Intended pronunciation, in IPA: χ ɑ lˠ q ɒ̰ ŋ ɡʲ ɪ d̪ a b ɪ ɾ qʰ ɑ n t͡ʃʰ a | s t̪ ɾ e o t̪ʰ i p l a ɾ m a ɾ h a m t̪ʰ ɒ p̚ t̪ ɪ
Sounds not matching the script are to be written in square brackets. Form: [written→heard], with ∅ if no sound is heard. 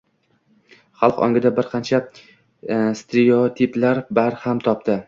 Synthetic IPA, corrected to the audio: χ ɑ lˠ q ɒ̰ ŋ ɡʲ ɪ d̪ a b ɪ ɾ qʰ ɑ n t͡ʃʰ a | s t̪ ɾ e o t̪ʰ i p l a ɾ [m→b] a ɾ h a m t̪ʰ ɒ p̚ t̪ ɪ